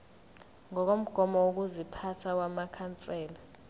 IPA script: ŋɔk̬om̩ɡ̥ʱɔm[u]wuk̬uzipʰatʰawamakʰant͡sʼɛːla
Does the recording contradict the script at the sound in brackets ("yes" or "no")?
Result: yes